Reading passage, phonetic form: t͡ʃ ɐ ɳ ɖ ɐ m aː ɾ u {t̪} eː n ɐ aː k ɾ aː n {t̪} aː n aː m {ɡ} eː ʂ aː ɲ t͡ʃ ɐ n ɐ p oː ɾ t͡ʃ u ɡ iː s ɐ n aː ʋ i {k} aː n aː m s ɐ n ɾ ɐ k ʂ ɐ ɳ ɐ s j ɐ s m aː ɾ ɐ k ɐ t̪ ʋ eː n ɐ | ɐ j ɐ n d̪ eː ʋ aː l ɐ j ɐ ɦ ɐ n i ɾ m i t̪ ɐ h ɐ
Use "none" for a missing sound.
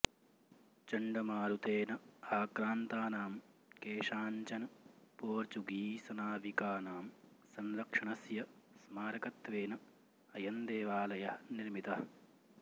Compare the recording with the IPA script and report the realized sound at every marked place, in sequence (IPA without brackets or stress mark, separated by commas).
t̪, t̪, k, k